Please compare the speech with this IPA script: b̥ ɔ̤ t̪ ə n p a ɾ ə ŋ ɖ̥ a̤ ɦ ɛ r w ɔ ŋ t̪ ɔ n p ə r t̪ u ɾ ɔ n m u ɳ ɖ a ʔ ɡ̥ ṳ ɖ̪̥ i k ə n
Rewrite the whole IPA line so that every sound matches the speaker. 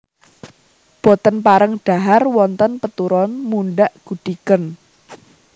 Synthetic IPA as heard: b̥ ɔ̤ t̪ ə n p a ɾ ə ŋ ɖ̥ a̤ ɦ a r w ɔ n t̪ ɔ n p ə t̪ u ɾ ɔ n m u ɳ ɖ a ʔ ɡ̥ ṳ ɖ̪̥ i k ə n